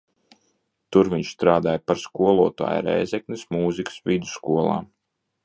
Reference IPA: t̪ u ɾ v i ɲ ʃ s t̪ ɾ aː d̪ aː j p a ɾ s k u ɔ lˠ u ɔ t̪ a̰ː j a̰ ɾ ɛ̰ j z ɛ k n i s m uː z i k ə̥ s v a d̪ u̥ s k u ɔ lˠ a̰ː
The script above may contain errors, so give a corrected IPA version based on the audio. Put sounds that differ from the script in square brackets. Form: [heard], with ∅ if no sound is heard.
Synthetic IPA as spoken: t̪ u ɾ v i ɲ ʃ s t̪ ɾ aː d̪ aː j p a ɾ s k u ɔ lˠ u ɔ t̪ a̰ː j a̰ ɾ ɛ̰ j z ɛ k n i s m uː z i k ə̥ s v [i] d̪ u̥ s k u ɔ lˠ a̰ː